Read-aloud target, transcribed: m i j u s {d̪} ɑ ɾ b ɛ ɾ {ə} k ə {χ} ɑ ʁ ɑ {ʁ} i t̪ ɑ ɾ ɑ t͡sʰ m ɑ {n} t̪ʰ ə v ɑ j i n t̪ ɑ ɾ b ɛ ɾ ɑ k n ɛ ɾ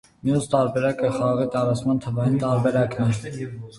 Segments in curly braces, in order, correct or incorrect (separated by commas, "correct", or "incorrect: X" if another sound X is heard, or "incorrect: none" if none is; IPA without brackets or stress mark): incorrect: t̪, incorrect: ɑ, correct, correct, correct